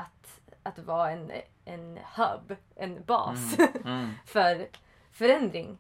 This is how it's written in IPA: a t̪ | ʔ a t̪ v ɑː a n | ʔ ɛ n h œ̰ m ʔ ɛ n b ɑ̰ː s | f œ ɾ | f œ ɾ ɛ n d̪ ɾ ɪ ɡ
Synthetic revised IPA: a t̪ | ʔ a t̪ v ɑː ɛ n | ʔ ɛ n h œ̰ b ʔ ɛ n b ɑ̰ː s | f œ ɾ | f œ ɾ ɛ n d̪ ɾ ɪ ŋ